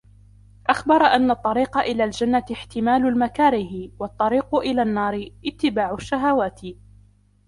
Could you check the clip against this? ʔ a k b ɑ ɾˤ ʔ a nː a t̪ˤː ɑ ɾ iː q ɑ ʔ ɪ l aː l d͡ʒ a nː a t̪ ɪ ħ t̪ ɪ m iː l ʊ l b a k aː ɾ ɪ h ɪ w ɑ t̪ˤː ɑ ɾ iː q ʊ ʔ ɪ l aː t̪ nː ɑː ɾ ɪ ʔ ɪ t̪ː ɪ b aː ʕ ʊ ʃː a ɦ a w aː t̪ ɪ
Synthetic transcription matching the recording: ʔ a x b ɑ ɾˤ ʔ a nː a t̪ˤː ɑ ɾ iː q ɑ ʔ ɪ l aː l d͡ʒ a nː a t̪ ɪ ħ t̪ ɪ m aː l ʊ l m a k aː ɾ ɪ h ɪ w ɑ t̪ˤː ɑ ɾ iː q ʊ ʔ ɪ l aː nː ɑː ɾ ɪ ʔ ɪ t̪ː ɪ b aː ʕ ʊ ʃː a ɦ a w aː t̪ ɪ